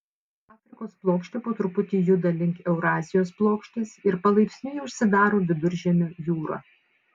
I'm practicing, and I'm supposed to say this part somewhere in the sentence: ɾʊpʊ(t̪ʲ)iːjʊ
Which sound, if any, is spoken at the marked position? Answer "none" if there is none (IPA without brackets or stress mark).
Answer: t̪ʲ